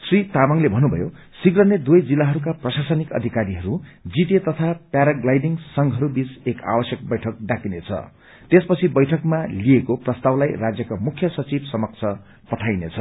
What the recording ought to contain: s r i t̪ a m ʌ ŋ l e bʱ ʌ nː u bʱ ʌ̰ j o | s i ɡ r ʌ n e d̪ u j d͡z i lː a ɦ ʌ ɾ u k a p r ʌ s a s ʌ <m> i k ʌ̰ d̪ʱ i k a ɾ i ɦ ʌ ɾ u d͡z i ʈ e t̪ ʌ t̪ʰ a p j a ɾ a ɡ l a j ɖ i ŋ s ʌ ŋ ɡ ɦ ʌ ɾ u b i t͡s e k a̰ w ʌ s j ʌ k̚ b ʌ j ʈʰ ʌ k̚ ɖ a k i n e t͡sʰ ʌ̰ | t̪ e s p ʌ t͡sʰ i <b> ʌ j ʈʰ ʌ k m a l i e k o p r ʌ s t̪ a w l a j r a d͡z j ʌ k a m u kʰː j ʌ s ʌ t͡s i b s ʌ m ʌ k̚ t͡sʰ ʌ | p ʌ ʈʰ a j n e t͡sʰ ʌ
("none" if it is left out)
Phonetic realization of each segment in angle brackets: n, b

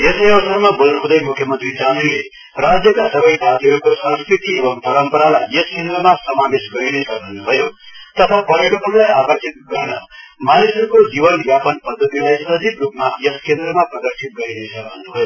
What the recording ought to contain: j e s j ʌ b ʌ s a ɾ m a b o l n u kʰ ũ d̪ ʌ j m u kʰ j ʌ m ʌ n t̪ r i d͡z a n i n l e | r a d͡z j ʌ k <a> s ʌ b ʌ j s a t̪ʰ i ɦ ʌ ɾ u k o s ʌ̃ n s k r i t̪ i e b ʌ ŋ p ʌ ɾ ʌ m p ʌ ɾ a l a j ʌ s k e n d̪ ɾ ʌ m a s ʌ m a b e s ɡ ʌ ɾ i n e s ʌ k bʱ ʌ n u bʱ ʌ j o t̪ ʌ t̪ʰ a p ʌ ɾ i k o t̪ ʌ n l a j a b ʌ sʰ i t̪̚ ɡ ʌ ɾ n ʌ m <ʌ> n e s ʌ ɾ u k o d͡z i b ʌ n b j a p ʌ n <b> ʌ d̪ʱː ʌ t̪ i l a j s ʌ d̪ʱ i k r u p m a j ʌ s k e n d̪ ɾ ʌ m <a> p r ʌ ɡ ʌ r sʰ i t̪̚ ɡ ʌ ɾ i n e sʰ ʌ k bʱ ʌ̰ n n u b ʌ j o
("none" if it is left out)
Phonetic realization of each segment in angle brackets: a, a, p, a

